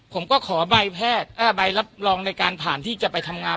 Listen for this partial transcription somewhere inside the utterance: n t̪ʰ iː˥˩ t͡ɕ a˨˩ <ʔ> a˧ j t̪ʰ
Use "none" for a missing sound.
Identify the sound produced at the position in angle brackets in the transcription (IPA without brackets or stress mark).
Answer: p